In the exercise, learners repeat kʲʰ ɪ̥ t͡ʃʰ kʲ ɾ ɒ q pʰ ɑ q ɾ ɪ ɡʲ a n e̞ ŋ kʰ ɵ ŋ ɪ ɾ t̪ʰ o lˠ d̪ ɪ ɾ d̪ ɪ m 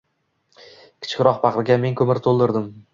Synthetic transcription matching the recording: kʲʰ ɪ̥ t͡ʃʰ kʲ ɾ ɒ q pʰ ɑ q ɾ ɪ ɡʲ a m e̞ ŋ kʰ ɵ m ɪ ɾ t̪ʰ o lˠ d̪ ɪ ɾ d̪ ɪ m